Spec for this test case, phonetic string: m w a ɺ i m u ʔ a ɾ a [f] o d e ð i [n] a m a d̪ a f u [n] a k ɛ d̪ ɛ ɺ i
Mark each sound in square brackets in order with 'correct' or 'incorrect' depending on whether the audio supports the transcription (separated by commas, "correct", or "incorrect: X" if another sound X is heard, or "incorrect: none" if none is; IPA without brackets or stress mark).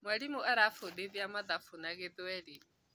correct, incorrect: none, correct